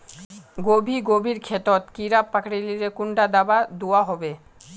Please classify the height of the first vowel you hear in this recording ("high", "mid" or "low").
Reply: mid